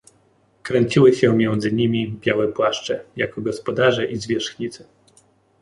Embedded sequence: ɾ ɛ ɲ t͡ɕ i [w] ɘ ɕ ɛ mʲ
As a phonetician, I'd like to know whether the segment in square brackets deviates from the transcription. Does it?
no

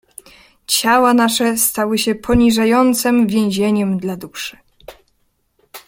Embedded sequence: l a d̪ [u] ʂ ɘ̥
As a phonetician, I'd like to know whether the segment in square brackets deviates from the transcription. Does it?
no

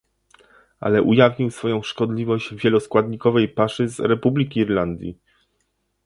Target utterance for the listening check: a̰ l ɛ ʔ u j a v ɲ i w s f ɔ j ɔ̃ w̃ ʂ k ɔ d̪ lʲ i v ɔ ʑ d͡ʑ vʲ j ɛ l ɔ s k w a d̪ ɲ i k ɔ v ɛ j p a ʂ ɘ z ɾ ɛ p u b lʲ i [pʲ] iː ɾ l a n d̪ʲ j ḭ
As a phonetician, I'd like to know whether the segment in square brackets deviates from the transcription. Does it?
yes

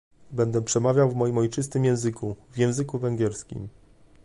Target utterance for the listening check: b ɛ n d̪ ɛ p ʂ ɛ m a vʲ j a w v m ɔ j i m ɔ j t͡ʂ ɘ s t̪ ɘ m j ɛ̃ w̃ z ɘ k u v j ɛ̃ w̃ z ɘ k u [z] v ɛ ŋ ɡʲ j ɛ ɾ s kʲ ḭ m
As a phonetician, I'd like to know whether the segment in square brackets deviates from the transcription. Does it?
yes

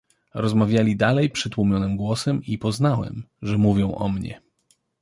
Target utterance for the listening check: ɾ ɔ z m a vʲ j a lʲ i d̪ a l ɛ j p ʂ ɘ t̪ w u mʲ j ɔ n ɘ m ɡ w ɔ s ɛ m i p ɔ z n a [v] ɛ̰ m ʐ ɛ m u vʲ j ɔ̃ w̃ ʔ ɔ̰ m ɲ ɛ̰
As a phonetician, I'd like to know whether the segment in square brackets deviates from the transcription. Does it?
yes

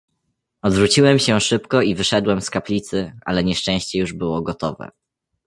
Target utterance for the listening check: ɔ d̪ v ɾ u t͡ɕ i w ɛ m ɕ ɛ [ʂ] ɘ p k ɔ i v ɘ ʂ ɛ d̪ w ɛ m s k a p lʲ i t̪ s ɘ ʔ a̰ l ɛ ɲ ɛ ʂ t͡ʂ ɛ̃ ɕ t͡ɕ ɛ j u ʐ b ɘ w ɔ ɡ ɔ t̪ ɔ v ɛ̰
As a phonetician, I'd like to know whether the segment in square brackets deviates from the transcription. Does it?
no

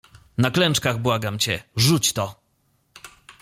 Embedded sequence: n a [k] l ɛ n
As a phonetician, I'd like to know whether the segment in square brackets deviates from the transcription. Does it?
no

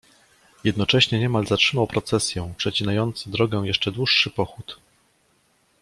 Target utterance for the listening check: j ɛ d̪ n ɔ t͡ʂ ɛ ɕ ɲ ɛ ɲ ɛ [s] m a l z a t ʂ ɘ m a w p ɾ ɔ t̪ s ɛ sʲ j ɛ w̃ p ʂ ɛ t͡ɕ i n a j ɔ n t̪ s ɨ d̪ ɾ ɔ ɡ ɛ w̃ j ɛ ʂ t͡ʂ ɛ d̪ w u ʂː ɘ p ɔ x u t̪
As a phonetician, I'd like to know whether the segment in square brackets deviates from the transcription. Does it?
yes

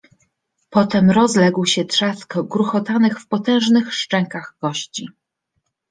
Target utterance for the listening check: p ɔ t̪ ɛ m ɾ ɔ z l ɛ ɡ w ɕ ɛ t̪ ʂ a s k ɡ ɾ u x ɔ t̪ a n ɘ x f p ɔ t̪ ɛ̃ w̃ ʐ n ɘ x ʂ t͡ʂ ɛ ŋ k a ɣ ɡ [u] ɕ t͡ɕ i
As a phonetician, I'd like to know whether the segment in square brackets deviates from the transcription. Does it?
yes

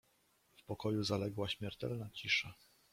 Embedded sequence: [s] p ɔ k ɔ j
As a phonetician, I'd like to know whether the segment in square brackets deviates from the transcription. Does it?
yes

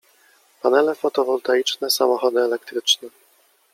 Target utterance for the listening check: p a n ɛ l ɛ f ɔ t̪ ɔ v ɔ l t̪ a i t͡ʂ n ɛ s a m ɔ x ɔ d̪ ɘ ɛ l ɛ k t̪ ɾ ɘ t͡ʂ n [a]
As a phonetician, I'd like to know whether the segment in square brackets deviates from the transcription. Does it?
yes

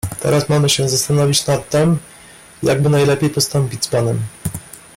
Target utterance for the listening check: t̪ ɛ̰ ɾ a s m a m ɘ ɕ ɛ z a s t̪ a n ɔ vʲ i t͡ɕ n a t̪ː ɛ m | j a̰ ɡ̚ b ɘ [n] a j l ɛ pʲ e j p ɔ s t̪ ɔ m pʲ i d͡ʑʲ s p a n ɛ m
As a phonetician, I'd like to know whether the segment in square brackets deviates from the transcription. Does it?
no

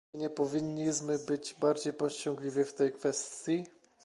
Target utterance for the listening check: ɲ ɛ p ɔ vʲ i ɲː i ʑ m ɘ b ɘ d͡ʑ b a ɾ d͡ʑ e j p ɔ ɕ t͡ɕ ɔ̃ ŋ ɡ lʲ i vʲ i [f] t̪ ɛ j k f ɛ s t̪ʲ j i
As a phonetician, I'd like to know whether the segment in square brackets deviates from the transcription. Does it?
no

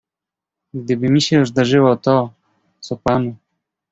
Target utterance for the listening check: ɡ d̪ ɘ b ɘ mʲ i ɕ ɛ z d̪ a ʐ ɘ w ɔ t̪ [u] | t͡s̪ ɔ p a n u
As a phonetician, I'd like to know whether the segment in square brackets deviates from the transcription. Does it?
yes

